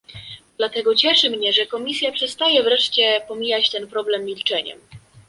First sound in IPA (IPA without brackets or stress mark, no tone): d̪